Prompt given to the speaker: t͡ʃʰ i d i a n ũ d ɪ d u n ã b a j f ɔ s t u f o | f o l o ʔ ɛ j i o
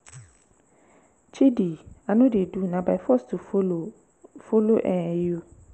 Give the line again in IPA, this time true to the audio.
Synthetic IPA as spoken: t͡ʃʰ i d i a n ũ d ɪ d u n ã b a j f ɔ s t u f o | f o l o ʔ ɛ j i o